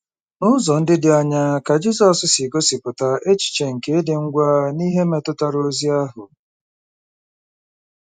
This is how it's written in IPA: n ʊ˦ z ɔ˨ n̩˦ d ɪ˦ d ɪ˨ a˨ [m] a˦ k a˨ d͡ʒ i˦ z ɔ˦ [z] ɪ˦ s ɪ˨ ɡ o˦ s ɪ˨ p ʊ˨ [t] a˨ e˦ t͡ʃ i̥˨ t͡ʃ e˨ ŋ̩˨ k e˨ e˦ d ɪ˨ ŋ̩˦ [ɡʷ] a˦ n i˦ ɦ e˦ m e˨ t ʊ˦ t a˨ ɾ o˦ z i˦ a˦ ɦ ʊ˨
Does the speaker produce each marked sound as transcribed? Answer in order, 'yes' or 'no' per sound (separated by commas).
no, no, yes, yes